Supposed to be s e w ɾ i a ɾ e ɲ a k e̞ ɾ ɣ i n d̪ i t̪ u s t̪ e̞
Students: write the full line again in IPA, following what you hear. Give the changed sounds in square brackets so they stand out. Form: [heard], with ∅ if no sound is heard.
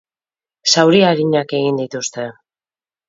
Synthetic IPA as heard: s [a] w ɾ i a ɾ [i] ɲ a k e̞ [∅] ɣ i n d̪ i t̪ u s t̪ e̞